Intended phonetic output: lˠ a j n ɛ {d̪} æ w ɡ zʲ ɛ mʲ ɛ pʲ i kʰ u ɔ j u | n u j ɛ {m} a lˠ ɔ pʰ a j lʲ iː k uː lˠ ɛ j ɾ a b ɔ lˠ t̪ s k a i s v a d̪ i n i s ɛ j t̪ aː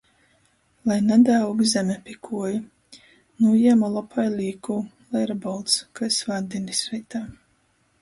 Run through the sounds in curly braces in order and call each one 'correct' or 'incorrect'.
correct, correct

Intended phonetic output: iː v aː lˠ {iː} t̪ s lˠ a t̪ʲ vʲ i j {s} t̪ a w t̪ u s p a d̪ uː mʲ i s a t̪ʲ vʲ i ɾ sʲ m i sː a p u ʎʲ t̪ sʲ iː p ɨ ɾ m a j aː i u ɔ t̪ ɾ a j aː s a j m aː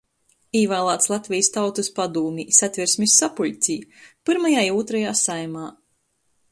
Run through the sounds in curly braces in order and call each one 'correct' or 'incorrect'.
incorrect: aː, correct

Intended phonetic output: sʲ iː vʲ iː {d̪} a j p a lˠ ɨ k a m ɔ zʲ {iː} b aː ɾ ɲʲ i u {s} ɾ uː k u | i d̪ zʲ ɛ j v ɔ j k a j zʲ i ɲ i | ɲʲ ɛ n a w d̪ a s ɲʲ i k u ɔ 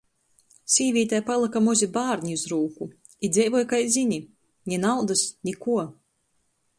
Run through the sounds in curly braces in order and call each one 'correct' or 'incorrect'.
incorrect: t̪, incorrect: i, incorrect: z

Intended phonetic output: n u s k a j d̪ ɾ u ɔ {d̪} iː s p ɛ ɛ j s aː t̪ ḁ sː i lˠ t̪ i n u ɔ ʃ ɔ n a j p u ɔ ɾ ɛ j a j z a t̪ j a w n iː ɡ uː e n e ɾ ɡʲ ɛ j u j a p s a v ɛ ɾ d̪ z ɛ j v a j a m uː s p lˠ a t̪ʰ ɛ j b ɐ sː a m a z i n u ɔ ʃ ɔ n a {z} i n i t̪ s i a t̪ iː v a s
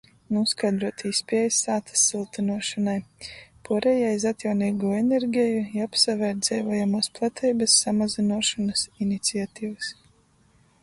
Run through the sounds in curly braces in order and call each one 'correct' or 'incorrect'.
incorrect: t̪, incorrect: s

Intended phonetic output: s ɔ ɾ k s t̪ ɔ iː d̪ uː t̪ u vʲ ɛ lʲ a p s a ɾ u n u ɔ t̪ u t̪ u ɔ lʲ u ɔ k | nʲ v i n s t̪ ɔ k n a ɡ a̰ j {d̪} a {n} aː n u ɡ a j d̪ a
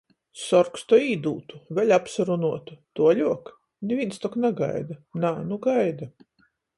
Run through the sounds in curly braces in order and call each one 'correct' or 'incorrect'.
correct, correct

